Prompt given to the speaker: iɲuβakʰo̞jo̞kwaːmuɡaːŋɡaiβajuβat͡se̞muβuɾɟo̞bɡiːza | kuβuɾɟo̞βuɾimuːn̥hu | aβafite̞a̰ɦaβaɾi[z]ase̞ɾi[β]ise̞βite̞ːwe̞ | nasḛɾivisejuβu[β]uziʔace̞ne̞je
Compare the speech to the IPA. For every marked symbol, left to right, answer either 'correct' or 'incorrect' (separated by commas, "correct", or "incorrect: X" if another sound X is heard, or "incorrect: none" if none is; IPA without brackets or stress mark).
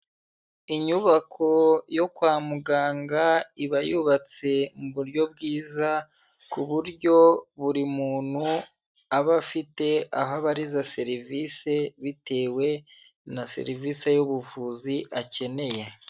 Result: correct, incorrect: v, incorrect: v